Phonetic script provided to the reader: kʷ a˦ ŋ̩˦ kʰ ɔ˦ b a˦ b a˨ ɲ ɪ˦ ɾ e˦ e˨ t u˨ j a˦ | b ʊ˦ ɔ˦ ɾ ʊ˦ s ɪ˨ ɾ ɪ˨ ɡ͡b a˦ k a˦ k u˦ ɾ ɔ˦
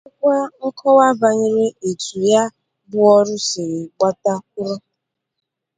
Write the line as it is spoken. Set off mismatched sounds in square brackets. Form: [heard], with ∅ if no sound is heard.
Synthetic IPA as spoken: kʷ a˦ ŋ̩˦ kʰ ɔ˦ [w] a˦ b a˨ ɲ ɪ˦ ɾ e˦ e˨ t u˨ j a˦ | b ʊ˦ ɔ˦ ɾ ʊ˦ s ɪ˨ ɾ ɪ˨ ɡ͡b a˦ [t] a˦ k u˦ ɾ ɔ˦